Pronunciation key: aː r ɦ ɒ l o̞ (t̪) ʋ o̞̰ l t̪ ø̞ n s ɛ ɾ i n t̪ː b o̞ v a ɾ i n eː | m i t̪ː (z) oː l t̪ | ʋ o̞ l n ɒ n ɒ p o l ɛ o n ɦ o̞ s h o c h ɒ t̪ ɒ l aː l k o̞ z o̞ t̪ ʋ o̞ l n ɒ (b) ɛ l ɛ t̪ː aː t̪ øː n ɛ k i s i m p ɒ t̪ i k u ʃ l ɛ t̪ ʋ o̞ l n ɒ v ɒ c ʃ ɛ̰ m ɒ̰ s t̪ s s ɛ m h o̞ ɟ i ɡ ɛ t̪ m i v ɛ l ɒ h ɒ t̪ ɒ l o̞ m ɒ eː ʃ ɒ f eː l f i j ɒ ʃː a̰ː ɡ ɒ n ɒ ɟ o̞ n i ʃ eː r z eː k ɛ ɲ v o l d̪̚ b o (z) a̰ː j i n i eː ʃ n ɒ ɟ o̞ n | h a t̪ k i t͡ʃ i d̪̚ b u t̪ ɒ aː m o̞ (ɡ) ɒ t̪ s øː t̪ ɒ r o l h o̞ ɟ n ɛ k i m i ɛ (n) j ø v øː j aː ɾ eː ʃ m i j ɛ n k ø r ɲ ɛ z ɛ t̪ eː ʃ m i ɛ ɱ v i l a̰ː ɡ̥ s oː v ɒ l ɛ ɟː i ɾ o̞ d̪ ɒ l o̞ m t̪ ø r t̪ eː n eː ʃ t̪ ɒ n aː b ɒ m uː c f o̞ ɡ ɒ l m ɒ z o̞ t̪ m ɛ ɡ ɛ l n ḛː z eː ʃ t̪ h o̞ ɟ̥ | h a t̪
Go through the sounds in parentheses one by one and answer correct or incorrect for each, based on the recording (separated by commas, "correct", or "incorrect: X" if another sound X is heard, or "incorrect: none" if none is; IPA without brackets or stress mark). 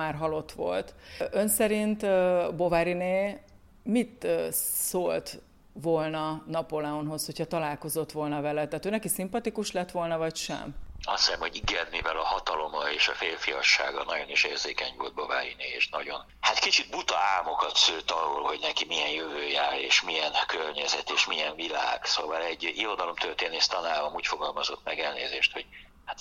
correct, incorrect: s, incorrect: v, incorrect: v, incorrect: k, correct